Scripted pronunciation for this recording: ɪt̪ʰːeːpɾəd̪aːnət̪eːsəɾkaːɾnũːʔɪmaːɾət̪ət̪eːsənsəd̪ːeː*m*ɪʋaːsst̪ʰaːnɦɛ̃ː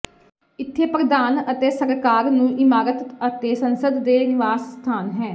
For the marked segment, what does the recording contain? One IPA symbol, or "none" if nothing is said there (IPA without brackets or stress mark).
n